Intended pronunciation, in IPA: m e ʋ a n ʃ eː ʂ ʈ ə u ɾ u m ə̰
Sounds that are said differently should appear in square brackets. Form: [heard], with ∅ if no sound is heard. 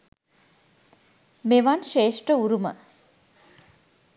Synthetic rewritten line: m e ʋ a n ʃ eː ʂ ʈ ə u ɾ u m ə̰